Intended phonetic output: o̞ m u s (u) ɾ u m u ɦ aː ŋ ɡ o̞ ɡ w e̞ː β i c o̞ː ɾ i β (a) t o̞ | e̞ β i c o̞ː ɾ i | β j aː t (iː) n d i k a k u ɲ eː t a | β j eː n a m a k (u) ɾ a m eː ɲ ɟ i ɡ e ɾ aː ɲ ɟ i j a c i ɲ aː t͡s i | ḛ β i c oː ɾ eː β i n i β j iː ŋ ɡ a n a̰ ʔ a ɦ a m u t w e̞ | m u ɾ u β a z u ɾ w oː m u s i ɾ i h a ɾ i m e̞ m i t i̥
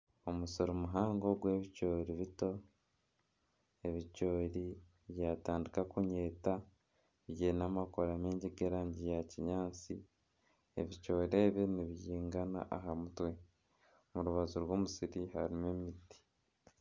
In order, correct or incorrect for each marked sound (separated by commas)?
incorrect, incorrect, incorrect, incorrect